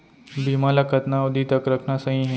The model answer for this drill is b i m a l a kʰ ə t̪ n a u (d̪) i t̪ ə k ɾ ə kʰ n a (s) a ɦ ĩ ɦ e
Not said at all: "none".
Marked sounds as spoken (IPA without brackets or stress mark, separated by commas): d̪, s